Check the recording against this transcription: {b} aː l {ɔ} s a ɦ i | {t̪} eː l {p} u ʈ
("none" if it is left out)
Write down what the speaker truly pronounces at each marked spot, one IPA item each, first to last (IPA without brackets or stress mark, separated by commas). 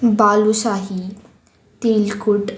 b, u, t̪, k